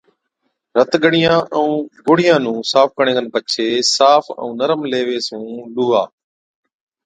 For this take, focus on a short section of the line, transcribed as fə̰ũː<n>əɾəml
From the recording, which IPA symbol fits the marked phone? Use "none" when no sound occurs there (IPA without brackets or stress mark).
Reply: n